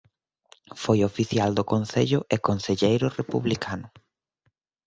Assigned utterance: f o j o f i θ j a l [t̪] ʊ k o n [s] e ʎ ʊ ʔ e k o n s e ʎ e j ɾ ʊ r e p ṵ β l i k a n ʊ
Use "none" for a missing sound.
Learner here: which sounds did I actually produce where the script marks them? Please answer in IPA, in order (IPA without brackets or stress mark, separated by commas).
d̪, θ